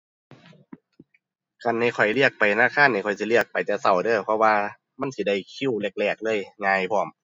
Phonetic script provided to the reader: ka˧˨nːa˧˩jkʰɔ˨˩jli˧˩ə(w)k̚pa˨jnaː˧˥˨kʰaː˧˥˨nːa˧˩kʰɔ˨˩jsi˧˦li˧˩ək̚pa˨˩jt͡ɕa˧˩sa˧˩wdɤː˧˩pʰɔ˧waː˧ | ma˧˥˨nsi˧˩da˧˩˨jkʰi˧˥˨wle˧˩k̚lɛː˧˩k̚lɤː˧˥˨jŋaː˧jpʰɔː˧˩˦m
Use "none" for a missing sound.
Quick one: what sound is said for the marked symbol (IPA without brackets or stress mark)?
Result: none